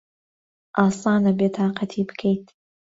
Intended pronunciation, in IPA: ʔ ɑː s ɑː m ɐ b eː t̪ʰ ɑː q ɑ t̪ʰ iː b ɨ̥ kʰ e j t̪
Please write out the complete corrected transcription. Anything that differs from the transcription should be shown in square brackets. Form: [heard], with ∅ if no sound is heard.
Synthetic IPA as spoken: ʔ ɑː s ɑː [n] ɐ b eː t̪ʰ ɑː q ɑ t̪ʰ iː b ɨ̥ kʰ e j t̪